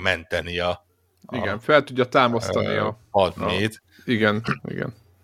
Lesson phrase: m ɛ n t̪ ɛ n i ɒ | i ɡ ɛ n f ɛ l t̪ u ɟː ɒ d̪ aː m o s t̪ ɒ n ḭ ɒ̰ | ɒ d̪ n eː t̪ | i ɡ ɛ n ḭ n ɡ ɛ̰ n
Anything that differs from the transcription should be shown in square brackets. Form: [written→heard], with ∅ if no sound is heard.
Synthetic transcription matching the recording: m ɛ n t̪ ɛ n i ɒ | i ɡ ɛ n f ɛ l t̪ u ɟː ɒ [d̪→t̪] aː m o s t̪ ɒ n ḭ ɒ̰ | ɒ d̪ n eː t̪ | i ɡ ɛ n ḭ [n→∅] ɡ ɛ̰ n